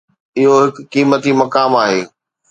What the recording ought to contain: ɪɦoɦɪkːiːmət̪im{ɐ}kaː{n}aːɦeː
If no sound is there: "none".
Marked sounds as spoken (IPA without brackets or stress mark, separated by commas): ɐ, m